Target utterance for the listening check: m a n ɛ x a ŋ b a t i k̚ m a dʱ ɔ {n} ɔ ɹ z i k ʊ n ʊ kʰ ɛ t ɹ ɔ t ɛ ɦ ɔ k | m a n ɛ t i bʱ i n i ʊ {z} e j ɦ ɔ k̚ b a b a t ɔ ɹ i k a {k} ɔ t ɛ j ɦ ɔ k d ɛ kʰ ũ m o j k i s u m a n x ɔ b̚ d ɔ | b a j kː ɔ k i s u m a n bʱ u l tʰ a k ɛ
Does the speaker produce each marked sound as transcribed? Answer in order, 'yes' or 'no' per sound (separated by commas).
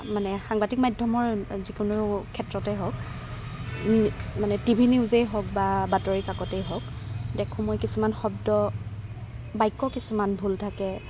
no, yes, yes